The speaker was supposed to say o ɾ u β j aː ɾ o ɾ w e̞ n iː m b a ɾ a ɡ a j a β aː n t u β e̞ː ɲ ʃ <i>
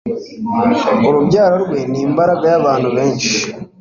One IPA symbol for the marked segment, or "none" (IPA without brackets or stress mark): i